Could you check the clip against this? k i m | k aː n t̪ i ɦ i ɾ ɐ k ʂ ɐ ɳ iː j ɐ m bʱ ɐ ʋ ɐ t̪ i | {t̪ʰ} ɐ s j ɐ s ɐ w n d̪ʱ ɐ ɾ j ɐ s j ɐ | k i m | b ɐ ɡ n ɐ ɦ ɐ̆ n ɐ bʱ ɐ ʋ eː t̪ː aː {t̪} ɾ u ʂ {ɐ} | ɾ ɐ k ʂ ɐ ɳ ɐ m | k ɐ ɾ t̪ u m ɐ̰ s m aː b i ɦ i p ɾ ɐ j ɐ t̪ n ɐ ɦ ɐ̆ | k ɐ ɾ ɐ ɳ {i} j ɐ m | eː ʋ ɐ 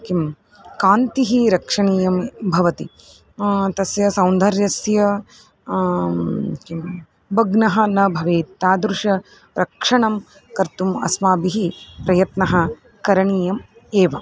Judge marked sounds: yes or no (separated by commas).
no, no, yes, no